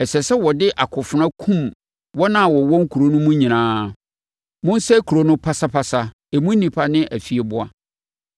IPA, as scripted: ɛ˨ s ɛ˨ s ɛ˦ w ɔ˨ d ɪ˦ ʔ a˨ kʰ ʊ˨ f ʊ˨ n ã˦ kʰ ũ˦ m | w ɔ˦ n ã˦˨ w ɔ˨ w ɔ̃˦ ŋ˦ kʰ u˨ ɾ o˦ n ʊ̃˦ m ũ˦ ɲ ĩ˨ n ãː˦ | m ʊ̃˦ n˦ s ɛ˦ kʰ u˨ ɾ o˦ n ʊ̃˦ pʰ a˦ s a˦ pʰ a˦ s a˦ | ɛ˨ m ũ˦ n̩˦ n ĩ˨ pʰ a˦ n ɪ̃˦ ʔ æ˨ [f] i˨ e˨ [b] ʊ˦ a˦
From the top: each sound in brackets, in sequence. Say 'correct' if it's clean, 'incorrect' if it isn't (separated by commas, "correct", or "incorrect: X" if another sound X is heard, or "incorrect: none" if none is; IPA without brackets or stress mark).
correct, correct